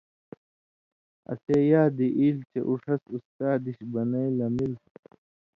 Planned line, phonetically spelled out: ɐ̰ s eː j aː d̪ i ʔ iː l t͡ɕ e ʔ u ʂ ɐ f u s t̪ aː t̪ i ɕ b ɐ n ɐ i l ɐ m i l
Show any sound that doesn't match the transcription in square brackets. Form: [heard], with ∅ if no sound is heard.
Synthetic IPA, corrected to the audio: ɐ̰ s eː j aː d̪ i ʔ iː l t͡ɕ e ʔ u ʂ ɐ [s] u s t̪ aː [d̪] i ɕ b ɐ n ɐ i l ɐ m i l